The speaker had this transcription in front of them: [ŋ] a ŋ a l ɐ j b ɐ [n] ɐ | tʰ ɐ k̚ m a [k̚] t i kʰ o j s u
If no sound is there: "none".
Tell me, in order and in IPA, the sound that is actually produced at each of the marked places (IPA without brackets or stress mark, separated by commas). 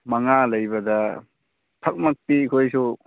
m, d, k̚